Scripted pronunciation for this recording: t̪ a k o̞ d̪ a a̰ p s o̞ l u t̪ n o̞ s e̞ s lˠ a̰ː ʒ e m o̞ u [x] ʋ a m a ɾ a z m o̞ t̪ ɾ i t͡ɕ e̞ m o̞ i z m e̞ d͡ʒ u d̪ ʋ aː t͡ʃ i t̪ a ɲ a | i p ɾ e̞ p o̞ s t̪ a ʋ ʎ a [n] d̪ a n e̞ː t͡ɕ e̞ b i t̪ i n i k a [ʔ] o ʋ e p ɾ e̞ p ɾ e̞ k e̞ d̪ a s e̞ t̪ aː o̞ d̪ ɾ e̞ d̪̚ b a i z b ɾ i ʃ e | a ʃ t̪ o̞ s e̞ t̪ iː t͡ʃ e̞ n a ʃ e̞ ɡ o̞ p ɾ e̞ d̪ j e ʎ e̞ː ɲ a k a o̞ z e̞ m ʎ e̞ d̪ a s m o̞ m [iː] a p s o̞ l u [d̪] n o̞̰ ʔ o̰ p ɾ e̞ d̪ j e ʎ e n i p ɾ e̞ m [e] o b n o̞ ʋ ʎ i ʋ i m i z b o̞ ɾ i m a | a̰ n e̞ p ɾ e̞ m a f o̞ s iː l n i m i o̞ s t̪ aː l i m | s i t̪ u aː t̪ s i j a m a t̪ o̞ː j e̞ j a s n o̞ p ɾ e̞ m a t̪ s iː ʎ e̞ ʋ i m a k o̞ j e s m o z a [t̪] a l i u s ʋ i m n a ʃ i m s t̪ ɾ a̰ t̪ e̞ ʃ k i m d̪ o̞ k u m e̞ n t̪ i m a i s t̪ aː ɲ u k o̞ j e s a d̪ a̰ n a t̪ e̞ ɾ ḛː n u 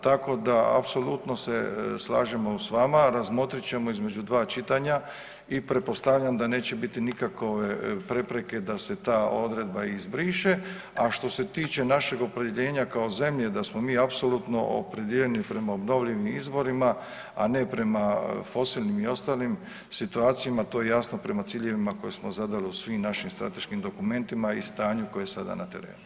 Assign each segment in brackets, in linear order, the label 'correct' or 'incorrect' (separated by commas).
incorrect, incorrect, incorrect, correct, incorrect, incorrect, incorrect